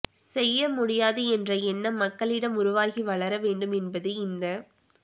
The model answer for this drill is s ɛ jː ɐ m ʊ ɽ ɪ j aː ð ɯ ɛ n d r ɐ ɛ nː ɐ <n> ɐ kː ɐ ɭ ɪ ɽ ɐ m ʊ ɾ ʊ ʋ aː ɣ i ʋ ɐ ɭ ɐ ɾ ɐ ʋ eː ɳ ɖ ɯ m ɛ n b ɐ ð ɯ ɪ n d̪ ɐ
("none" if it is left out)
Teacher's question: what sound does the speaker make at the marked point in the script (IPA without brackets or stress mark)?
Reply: m